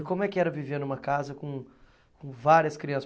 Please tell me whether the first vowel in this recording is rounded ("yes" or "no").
yes